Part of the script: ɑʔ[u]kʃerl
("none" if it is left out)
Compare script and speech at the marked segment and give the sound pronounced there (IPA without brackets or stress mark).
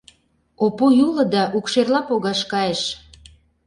u